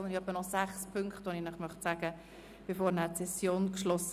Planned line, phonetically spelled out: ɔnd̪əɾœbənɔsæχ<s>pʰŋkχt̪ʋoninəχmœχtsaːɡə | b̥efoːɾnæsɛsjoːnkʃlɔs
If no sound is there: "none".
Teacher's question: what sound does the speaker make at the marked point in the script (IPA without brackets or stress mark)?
s